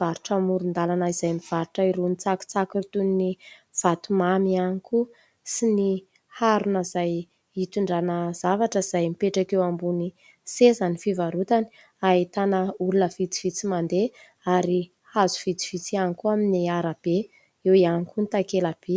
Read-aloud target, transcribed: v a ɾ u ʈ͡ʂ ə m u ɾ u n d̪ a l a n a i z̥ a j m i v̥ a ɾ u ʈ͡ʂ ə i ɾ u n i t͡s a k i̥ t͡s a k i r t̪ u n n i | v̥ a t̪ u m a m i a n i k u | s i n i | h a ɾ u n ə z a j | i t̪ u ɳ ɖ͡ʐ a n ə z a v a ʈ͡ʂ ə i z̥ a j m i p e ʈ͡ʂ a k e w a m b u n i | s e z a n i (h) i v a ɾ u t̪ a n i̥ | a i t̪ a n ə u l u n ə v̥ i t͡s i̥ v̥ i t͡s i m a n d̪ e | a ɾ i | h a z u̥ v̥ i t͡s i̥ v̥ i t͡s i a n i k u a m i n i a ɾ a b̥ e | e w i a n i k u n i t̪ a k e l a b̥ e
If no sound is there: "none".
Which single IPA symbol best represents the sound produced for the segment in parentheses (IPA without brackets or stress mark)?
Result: f